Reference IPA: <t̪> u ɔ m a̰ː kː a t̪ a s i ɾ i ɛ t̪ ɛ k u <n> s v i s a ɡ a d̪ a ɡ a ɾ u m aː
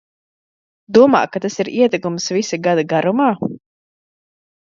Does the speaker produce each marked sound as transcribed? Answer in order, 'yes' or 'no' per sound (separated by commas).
no, no